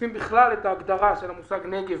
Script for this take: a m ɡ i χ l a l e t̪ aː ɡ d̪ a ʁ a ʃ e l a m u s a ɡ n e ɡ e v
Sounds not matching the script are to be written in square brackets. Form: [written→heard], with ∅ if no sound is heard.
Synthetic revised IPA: [a→i] m [ɡ→b] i χ l a l e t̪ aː ɡ d̪ a ʁ a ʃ e l a m u s a ɡ n e ɡ e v